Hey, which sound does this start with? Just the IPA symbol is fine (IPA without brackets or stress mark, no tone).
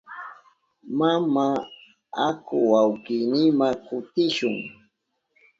m